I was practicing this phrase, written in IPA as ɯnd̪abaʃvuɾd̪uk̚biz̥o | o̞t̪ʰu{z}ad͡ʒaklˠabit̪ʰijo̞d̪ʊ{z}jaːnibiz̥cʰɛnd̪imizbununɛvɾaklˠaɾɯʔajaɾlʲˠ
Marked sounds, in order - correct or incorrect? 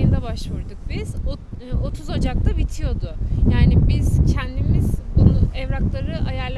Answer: correct, incorrect: none

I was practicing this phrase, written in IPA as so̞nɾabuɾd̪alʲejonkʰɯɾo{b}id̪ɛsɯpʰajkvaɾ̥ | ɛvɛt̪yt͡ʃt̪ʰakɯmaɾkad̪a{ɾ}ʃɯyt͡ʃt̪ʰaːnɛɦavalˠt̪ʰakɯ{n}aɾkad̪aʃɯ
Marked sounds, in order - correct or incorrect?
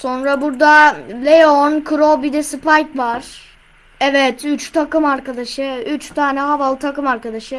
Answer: correct, incorrect: none, incorrect: m

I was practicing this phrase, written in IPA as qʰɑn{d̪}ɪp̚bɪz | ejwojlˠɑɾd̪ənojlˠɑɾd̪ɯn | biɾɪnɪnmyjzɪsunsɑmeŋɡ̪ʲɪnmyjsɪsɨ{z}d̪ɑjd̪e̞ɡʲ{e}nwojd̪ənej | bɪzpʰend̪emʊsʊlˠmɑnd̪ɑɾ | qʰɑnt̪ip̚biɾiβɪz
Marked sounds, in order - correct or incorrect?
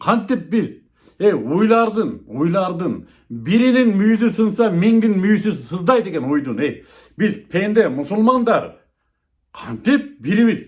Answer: incorrect: t̪, correct, correct

